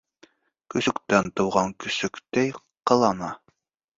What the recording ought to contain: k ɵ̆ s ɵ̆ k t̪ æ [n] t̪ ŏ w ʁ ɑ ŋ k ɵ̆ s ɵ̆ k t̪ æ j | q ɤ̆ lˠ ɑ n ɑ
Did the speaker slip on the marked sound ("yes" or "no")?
no